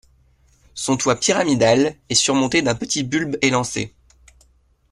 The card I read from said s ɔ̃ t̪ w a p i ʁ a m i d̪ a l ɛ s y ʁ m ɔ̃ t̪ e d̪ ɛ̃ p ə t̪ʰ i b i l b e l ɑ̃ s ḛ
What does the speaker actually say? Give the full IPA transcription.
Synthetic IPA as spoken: s ɔ̃ t̪ w a p i ʁ a m i d̪ a l ɛ s y ʁ m ɔ̃ t̪ e d̪ ɛ̃ p ə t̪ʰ i b y l b e l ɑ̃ s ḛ